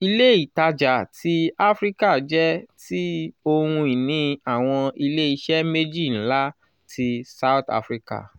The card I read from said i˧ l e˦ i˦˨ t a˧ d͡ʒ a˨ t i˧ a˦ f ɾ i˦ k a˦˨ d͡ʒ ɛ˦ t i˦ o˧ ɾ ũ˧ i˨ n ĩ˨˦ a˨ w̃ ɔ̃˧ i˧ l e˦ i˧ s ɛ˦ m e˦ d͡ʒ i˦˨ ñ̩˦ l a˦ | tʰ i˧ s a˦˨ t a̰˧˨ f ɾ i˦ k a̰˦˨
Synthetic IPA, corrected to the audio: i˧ l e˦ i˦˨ t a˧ d͡ʒ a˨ t i˧ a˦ f ɾ i˦ k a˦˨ d͡ʒ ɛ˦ t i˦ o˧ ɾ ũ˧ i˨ n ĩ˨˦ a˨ w̃ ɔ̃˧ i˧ l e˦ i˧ ʃ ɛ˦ m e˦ d͡ʒ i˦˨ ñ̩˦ l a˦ | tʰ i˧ s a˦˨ t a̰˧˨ f ɾ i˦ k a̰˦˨